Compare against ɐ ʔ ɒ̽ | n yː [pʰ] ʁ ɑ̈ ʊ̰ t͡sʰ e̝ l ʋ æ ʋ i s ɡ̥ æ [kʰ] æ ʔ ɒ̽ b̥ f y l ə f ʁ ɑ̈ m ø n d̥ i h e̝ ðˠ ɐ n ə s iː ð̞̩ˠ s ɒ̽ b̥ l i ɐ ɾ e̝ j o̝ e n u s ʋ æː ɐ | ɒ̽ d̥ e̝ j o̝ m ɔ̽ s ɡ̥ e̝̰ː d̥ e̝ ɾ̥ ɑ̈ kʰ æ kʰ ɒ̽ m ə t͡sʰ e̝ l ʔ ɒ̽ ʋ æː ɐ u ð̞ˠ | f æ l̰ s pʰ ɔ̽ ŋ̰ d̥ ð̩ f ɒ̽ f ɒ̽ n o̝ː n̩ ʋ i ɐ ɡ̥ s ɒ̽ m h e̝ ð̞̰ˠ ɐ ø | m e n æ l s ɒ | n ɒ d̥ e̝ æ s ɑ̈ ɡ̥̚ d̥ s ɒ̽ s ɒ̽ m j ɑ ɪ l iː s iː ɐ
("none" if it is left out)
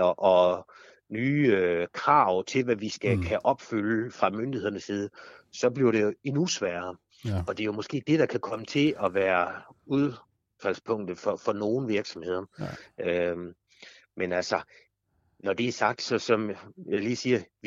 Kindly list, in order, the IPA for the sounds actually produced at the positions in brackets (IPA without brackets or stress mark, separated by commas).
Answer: kʰ, kʰ